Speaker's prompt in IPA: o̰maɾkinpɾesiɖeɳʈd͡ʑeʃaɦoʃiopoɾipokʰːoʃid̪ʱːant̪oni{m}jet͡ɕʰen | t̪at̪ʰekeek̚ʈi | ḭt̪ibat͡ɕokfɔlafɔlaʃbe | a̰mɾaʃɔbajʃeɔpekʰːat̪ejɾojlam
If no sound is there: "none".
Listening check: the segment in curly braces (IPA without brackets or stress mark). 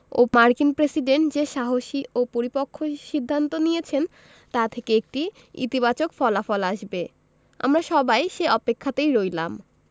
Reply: none